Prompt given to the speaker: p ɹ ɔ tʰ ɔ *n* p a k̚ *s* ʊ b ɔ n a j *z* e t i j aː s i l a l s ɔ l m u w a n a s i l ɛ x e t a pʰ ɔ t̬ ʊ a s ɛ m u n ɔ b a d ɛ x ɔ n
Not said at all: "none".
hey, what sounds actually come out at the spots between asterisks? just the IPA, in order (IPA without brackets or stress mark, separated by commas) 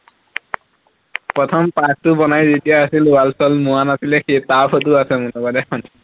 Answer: m, t, z